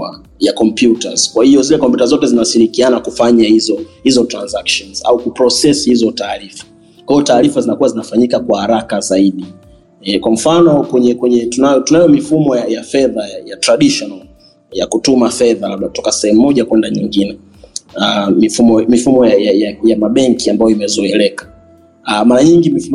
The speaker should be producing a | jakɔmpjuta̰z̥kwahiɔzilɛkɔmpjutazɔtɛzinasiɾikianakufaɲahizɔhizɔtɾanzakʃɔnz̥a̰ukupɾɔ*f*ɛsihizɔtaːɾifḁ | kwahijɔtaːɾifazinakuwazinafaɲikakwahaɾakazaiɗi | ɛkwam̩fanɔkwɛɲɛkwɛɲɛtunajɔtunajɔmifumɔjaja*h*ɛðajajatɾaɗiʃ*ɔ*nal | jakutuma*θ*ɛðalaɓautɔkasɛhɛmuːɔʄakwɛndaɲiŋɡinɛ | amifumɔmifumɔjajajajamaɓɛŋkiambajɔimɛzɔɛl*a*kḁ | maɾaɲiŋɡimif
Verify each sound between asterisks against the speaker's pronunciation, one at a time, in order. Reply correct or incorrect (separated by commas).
incorrect, incorrect, correct, incorrect, incorrect